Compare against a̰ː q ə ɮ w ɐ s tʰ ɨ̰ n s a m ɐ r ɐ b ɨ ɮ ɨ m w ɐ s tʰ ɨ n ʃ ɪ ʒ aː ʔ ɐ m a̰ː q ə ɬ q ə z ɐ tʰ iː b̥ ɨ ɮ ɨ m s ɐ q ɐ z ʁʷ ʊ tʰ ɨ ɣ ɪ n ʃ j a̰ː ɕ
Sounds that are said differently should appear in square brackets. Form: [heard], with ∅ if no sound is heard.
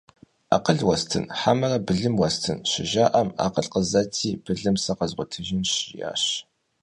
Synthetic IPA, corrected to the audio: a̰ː q ə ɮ w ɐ s tʰ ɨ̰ n [ħ] a m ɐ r ɐ b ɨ ɮ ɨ m w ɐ s tʰ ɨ n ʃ ɪ ʒ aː ʔ ɐ m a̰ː q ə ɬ q ə z ɐ tʰ iː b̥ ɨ ɮ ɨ m s ɐ q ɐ z ʁʷ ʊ tʰ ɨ [ʒ] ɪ n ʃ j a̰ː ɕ

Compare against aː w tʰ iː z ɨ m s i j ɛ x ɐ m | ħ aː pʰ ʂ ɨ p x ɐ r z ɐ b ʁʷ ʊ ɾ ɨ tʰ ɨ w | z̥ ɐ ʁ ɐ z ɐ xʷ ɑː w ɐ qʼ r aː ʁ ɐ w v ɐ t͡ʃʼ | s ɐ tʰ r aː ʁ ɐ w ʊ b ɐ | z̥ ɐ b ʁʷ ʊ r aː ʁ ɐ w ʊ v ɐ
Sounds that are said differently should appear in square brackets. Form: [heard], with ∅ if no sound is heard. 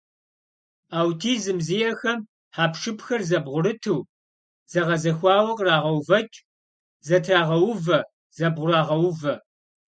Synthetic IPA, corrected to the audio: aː w tʰ iː z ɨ m [z] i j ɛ x ɐ m | ħ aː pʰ ʂ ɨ p x ɐ r z ɐ b ʁʷ ʊ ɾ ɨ tʰ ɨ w | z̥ ɐ ʁ ɐ z ɐ xʷ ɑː w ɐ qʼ r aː ʁ ɐ w v ɐ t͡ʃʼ | [z] ɐ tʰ r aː ʁ ɐ w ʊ [v] ɐ | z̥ ɐ b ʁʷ ʊ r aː ʁ ɐ w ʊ v ɐ

